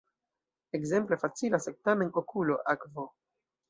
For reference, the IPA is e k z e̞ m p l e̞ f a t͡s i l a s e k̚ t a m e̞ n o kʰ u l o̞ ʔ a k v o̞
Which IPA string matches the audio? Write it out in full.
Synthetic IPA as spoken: e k z e̞ m p l e̞ f a t͡s i l a s e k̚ t a m e̞ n o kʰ u l o̞ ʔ a k v o̞